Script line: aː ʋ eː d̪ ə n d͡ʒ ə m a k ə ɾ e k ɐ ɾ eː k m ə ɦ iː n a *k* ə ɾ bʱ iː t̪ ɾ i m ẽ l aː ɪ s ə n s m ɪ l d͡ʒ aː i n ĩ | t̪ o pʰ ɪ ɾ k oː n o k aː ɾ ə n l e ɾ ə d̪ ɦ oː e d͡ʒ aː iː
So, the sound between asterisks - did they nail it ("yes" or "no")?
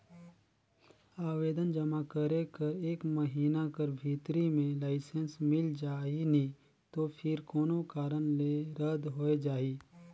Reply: yes